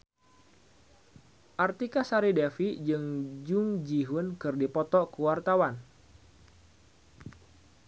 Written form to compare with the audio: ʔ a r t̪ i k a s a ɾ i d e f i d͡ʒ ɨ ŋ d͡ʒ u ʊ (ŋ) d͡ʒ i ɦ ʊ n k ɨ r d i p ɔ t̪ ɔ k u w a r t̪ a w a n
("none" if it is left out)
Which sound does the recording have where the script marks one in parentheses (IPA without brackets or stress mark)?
ŋ